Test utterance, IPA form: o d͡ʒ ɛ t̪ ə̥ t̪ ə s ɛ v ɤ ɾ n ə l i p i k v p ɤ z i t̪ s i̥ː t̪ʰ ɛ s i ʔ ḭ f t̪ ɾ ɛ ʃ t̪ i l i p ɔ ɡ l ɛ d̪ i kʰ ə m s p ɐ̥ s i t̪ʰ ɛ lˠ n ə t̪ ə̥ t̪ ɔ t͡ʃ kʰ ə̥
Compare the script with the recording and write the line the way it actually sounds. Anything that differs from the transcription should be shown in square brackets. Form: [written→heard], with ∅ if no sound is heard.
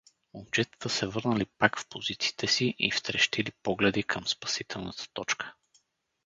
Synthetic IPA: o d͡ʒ ɛ t̪ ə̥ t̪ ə s ɛ v ɤ ɾ n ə l i p [i→a] k [v→f] p [ɤ→o] z i t̪ s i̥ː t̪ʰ ɛ s i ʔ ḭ f t̪ ɾ ɛ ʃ t̪ i l i p ɔ ɡ l ɛ d̪ i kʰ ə m s p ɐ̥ s i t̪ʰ ɛ lˠ n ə t̪ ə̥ t̪ ɔ t͡ʃ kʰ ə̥